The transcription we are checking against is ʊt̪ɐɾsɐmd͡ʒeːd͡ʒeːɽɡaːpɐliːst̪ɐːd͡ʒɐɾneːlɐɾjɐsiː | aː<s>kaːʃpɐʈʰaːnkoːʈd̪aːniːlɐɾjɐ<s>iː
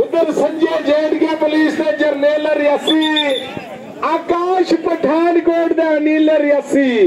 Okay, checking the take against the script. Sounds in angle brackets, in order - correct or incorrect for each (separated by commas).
incorrect, correct